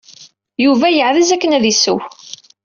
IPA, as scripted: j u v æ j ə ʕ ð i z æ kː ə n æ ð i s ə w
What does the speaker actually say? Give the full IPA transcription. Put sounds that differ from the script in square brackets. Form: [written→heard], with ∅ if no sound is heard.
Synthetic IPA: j u v æ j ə ʕ ð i z æ kː ə n æ ð i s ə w